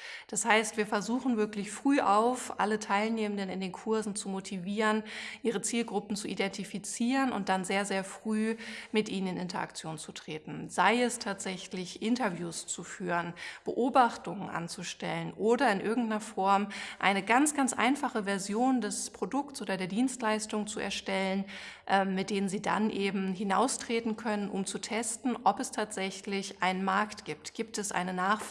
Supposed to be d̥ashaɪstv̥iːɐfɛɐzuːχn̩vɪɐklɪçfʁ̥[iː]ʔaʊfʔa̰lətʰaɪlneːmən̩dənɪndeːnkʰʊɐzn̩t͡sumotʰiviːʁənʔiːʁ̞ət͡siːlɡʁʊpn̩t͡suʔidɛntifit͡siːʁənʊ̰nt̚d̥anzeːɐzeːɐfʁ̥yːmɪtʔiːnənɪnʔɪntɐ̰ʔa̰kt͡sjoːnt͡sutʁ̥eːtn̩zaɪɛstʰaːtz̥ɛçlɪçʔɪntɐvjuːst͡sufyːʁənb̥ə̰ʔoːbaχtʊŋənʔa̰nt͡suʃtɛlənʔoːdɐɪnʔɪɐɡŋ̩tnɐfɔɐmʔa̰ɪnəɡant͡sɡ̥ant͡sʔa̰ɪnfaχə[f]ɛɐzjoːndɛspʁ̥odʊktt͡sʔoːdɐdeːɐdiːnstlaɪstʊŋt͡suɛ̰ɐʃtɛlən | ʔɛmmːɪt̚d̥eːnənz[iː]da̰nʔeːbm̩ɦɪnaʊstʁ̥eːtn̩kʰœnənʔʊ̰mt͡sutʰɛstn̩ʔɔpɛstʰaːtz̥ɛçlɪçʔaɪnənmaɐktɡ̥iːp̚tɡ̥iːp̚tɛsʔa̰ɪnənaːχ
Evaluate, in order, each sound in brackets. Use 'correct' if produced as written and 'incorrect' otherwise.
incorrect: yː, incorrect: v, correct

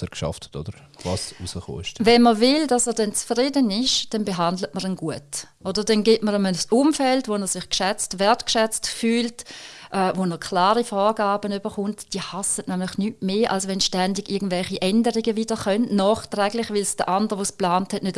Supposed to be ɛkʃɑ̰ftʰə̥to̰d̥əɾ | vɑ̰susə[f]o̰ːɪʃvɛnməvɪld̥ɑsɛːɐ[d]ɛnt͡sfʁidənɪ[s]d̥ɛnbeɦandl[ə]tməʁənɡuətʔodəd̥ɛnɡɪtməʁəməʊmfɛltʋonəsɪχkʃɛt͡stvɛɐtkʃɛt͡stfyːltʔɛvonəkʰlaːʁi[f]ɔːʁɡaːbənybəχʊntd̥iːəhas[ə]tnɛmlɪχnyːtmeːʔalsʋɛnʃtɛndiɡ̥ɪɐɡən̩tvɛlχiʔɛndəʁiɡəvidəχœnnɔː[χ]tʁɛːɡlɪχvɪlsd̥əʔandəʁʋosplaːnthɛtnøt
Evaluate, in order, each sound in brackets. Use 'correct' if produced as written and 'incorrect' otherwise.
incorrect: χ, correct, incorrect: ʃ, correct, correct, correct, correct

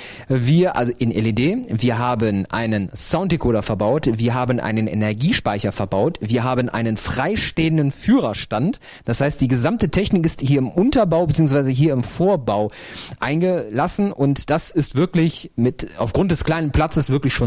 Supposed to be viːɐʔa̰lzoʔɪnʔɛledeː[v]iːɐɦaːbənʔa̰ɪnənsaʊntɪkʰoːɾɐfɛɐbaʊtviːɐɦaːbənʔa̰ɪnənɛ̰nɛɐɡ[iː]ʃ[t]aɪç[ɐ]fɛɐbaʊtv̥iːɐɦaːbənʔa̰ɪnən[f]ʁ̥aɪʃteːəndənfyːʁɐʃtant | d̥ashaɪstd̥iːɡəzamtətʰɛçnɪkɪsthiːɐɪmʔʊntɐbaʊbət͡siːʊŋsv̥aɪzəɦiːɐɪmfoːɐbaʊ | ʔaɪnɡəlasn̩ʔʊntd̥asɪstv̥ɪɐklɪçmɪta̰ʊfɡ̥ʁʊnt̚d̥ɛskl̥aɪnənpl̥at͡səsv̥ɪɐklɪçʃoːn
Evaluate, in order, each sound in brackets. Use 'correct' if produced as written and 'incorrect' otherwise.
correct, correct, incorrect: p, correct, correct

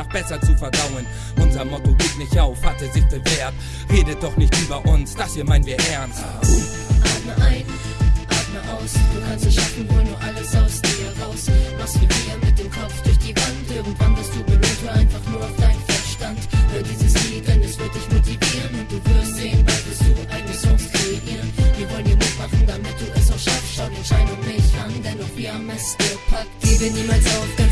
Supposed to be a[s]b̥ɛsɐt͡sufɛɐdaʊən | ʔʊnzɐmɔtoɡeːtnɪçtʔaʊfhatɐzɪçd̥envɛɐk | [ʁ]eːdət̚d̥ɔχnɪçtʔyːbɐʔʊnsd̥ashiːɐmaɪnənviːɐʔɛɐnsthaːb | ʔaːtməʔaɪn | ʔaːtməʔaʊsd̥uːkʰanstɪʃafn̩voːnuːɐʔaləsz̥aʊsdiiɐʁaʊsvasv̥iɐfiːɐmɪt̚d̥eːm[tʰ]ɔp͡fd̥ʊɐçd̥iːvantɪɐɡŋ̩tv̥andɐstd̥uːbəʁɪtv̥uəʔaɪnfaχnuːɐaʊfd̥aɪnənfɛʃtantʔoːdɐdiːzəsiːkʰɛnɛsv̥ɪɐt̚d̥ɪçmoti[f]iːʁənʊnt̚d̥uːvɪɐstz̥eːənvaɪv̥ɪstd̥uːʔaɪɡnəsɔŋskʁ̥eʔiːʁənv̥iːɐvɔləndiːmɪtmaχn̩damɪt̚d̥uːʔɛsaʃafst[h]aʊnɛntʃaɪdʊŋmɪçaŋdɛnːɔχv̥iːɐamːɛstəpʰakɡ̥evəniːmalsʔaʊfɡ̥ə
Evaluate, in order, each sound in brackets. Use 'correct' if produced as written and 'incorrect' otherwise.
incorrect: χ, correct, incorrect: kʰ, incorrect: v, incorrect: ʃ

